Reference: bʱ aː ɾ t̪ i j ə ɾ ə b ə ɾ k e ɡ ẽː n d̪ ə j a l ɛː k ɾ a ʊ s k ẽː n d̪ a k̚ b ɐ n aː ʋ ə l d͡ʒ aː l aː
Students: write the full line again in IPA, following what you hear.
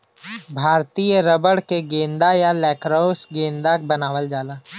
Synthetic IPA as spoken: bʱ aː ɾ t̪ i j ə ɾ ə b ə ɽ k e ɡ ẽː n d̪ a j a l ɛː k ɾ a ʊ s ɡ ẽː n d̪ a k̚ b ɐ n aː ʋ ə l d͡ʒ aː l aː